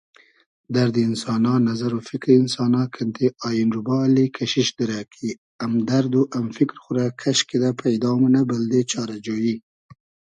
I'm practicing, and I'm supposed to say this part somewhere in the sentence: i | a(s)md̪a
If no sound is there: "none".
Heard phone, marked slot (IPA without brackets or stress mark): none